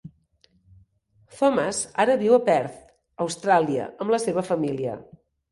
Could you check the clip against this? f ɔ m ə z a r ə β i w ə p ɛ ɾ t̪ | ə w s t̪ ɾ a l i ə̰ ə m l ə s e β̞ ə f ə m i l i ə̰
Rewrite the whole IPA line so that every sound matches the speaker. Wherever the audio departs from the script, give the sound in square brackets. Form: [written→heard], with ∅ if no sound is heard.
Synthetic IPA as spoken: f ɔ m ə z a [r→ɾ] ə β i w ə p ɛ ɾ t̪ | ə w s t̪ ɾ a l i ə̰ ə m l ə s e β̞ ə f ə m i l i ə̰